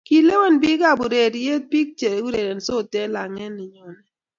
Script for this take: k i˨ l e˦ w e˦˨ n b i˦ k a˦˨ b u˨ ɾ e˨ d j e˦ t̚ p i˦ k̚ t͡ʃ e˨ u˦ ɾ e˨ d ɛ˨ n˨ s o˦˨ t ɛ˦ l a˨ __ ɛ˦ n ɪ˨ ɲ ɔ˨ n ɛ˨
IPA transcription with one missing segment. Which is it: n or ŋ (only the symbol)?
ŋ